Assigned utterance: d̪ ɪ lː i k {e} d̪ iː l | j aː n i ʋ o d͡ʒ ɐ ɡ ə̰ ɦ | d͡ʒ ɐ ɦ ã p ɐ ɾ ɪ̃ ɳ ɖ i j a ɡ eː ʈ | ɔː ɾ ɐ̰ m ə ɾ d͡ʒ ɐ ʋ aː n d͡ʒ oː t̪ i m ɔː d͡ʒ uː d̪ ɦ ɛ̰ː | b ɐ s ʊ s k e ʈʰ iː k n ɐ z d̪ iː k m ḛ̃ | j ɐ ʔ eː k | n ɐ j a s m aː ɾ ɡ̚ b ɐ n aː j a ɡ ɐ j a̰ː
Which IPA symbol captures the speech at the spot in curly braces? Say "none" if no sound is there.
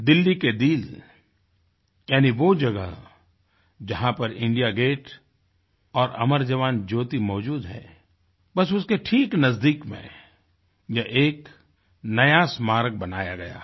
e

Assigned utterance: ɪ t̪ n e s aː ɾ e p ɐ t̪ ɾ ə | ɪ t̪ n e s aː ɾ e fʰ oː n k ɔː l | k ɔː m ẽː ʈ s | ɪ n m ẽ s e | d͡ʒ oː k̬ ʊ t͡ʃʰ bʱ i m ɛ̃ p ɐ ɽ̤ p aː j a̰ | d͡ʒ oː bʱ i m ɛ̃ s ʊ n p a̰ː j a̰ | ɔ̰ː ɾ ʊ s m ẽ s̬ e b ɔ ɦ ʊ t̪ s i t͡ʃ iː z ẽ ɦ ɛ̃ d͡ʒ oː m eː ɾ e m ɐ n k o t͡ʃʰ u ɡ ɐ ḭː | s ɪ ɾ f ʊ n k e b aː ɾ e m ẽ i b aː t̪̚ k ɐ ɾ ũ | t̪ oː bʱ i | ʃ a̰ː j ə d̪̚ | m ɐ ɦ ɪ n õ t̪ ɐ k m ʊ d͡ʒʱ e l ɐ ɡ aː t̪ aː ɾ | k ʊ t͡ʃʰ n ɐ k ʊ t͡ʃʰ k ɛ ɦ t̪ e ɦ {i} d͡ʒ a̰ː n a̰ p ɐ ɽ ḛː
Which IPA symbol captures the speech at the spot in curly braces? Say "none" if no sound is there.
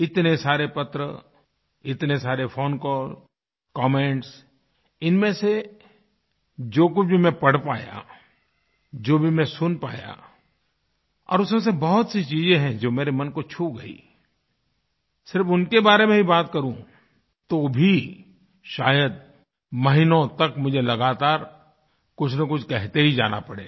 i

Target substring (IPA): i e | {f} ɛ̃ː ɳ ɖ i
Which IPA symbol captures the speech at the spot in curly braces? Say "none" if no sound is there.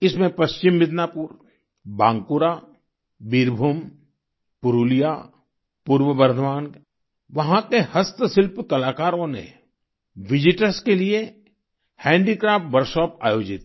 h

